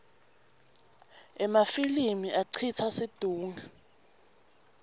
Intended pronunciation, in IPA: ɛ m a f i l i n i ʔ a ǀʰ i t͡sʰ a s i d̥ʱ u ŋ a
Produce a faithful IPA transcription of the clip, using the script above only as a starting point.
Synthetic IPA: ɛ m a f i l i m i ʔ a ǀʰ i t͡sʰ a s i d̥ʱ uː ŋ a

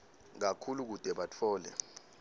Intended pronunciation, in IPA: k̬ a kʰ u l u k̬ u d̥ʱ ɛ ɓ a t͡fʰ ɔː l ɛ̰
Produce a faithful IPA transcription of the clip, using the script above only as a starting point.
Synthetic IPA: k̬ a kʰ u l u k̬ u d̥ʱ ɛ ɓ a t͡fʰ ɔː l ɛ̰

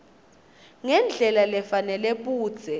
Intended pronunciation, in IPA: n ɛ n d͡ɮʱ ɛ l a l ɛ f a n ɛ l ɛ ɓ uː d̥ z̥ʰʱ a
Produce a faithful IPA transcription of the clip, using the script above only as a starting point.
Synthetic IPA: ŋ ɛ n d͡ɮʱ ɛ l a l ɛ f a n ɛ l ɛ ɓ uː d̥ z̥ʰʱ ɛ

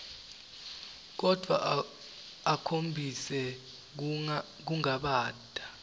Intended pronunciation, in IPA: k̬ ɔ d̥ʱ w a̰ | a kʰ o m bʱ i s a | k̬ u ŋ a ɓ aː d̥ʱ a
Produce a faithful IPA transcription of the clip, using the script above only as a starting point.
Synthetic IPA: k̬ ɔ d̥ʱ w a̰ | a kʰ o m bʱ i s ɛ | k̬ u ŋ a ɓ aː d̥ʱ a

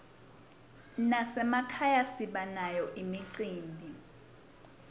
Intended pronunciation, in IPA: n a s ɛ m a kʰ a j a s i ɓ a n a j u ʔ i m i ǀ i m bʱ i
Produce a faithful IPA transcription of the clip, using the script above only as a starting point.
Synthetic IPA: n a s ɛ m a kʰ a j a s i ɓ a n a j ɔ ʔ i m i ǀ iː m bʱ i

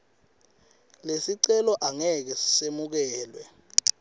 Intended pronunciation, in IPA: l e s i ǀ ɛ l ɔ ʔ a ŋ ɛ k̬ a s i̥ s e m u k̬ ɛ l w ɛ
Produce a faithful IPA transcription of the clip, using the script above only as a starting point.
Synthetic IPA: l e s i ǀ ɛ l ɔ ʔ a ŋ ɛ k̬ ɛ s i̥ s e m u k̬ ɛː l w ɛ

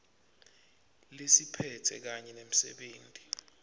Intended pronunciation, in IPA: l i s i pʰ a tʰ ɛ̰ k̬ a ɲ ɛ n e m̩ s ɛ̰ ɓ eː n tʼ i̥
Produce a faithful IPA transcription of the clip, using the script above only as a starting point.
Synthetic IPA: l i s i pʰ ɛ tʰ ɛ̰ k̬ a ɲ ɛ n e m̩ s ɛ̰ ɓ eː n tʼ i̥

